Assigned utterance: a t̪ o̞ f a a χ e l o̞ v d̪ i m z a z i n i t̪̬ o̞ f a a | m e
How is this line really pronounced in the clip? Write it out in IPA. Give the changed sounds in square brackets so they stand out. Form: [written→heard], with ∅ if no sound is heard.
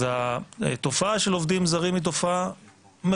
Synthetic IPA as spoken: a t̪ o̞ f a a [χ→ʃ] e l o̞ v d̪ i m z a [z→ʁ] i [n→m] i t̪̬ o̞ f a a | m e